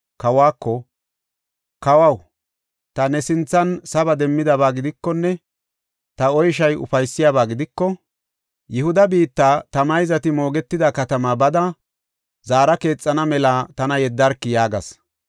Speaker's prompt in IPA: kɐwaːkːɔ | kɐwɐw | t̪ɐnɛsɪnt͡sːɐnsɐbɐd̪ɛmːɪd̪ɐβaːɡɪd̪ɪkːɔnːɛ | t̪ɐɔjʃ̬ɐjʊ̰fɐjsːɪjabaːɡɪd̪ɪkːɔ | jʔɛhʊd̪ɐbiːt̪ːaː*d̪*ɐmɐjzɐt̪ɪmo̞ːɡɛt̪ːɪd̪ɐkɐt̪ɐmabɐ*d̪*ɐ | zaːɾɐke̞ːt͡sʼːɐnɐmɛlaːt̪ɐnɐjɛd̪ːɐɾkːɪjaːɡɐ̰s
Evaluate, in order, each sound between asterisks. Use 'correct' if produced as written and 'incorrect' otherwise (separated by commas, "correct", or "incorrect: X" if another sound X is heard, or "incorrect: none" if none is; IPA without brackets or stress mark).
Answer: incorrect: t̪, correct